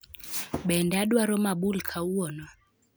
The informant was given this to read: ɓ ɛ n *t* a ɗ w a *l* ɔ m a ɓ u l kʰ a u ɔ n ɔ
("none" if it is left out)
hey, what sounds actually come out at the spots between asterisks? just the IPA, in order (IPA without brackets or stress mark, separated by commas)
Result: d, ɾ